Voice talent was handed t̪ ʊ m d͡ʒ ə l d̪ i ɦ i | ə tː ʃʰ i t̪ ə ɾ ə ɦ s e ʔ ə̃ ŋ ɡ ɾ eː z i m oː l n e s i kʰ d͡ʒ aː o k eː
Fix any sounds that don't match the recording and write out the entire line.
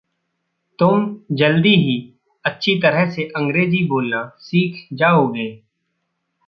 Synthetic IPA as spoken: t̪ ʊ m d͡ʒ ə l d̪ i ɦ i | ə tː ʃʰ i t̪ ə ɾ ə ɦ s e ʔ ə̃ ŋ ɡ ɾ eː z i b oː l n a s iː kʰ d͡ʒ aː o ɡ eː

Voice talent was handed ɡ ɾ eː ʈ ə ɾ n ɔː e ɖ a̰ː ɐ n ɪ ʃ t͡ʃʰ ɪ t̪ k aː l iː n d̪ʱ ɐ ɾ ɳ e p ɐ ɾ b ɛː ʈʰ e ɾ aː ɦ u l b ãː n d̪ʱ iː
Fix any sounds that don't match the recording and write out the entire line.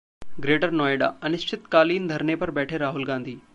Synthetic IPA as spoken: ɡ ɾ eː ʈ ə ɾ n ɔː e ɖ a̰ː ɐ n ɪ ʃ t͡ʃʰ ɪ t̪ k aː l iː n d̪ʱ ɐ ɾ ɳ e p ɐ ɾ b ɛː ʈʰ e ɾ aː ɦ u l ɡ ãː n d̪ʱ iː

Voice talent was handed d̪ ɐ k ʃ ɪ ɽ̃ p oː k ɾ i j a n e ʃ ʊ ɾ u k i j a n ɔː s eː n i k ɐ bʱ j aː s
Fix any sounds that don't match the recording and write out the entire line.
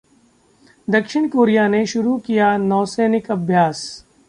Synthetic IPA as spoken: d̪ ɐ k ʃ ɪ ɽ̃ k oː ɾ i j a n e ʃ ʊ ɾ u k i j a n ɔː s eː n ɪ k ɐ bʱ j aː s

